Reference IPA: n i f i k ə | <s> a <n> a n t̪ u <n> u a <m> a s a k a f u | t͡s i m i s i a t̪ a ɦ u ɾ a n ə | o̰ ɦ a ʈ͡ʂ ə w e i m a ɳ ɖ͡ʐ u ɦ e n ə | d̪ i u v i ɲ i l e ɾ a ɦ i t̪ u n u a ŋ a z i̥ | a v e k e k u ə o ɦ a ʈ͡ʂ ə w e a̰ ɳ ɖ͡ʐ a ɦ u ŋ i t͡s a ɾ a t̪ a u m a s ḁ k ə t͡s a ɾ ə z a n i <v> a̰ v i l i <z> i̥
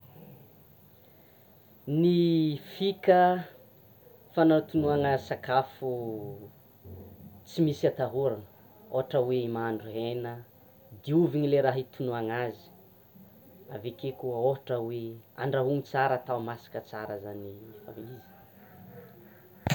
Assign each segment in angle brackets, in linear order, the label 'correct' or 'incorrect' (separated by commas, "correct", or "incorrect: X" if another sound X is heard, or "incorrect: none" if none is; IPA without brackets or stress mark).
incorrect: f, correct, correct, incorrect: ŋ, incorrect: f, correct